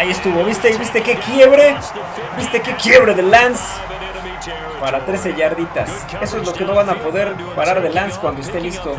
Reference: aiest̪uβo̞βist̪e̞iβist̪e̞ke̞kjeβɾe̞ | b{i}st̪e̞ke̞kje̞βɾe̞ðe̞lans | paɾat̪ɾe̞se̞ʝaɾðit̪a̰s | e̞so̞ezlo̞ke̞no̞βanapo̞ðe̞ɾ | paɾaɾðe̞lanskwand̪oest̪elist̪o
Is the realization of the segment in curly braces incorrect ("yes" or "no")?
no